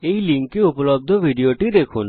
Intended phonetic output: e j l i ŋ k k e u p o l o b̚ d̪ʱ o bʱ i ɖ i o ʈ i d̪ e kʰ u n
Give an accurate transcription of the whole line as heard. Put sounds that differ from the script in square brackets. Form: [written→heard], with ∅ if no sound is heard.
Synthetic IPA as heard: e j l i ŋ k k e u p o l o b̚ d̪ʱ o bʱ i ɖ i o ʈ i d̪ e kʰ u n